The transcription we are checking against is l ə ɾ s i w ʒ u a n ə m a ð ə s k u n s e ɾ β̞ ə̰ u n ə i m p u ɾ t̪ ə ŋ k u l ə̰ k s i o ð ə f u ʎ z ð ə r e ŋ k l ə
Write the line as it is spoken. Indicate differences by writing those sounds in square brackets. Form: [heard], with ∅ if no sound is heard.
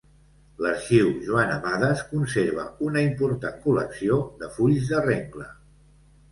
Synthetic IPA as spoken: l ə ɾ [ʃ] i w ʒ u a n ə m a ð ə s k u n s e ɾ β̞ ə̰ u n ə i m p u ɾ t̪ [a] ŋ k u l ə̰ k s i o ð ə f u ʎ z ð ə r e ŋ k l ə